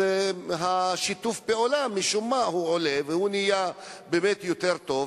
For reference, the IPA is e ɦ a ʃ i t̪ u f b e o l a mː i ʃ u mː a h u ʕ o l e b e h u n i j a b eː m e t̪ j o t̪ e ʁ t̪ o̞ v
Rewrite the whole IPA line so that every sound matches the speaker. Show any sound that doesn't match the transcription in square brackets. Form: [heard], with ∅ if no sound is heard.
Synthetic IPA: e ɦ a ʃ i t̪ u f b e o l a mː i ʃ u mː a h u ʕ o l e [v] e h u n i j a b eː m e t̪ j o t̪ e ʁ t̪ o̞ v